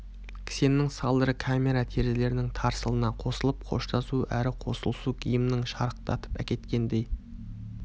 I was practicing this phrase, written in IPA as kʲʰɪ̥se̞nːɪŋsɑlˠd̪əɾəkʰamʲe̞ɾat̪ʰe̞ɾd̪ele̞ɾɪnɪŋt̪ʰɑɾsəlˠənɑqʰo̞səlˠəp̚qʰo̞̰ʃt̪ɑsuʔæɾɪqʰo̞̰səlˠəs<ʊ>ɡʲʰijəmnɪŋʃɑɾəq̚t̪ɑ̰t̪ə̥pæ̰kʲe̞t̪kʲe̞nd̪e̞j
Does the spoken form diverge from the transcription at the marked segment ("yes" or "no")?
yes